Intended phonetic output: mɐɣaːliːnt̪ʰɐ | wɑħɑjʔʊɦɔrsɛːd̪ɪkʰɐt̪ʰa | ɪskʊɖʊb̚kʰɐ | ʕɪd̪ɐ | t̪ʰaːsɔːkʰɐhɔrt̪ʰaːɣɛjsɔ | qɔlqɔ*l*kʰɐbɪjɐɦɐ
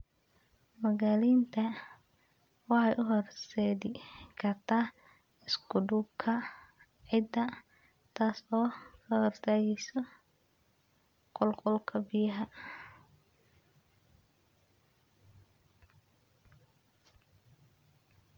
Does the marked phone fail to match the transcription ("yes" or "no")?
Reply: no